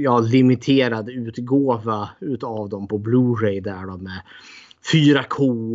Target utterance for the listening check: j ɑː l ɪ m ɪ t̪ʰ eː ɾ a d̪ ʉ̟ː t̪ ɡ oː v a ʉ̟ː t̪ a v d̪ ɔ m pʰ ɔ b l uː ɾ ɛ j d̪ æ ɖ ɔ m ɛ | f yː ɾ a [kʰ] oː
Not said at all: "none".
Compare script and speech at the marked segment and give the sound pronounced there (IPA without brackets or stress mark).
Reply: kʰ